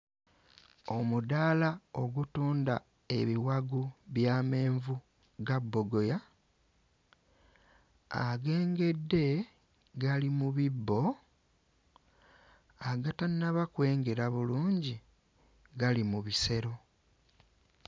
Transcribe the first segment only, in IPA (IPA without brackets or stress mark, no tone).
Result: o̞